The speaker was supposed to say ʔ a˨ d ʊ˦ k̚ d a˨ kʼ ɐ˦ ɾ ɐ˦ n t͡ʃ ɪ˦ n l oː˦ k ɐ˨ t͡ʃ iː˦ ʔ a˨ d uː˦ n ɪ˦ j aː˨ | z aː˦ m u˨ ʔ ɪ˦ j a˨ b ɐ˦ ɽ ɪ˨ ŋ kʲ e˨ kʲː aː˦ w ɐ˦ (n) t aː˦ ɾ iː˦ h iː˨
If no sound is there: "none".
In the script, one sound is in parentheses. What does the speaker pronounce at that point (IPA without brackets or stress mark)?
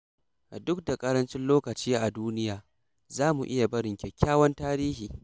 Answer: n